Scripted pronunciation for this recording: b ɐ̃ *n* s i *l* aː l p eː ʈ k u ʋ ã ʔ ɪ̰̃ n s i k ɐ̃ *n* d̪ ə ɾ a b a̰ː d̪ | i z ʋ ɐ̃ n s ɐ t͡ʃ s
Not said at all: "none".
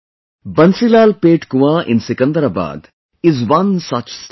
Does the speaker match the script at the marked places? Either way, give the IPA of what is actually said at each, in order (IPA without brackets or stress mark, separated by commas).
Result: n, l, n